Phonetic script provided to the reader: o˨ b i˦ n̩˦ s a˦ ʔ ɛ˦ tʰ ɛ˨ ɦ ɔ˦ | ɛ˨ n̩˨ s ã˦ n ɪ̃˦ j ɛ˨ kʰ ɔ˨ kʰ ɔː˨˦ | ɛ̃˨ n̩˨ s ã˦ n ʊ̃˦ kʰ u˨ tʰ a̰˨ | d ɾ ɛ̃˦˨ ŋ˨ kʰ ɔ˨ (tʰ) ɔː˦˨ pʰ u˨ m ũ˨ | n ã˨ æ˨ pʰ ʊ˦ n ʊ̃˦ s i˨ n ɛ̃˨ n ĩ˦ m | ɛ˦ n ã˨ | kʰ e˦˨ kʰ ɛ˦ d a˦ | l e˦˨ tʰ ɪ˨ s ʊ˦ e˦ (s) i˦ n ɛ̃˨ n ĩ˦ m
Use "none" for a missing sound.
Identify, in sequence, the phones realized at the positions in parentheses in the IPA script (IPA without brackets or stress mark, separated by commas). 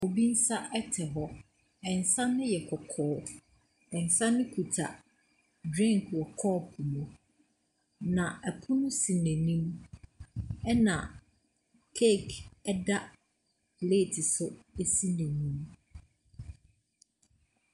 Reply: kʰ, s